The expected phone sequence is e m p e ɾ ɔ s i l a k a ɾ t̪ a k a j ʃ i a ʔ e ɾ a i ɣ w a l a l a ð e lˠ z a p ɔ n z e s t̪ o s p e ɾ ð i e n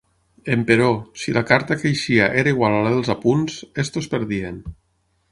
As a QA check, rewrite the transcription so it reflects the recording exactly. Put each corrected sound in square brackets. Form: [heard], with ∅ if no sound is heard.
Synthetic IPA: e m p e ɾ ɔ s i l a k a ɾ t̪ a k [e] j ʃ i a ʔ e ɾ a i ɣ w a l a l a ð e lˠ z a p [u] n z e s t̪ o s p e ɾ ð i e n